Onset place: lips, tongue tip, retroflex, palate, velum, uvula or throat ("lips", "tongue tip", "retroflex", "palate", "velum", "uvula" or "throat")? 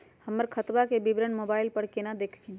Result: throat